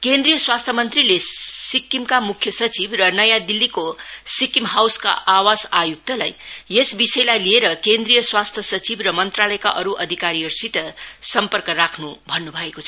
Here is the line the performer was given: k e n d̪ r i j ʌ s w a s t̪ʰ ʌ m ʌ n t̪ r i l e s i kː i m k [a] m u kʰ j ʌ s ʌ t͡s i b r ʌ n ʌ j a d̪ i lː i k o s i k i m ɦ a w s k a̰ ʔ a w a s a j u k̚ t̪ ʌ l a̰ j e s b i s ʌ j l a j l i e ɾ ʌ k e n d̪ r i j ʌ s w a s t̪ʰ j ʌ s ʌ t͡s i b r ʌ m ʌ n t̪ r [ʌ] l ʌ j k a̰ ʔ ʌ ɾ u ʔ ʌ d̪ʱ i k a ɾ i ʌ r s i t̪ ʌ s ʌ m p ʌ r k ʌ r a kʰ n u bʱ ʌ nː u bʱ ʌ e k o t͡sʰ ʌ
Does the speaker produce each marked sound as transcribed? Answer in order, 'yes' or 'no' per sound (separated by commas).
yes, no